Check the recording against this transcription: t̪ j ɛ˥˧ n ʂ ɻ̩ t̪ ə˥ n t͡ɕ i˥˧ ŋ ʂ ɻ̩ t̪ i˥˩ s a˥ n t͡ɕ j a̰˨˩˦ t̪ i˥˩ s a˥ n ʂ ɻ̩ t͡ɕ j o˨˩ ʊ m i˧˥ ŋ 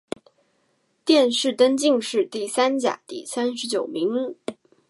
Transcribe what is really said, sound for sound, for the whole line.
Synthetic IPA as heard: t̪ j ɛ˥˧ n ʂ ɻ̩ t̪ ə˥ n t͡ɕ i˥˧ ŋ ʂ ɻ̩ t̪ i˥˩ s a˥ n t͡ɕ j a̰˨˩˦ t̪ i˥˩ s a˥ n ʂ ɻ̩ t͡ɕ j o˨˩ ʊ m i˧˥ ŋ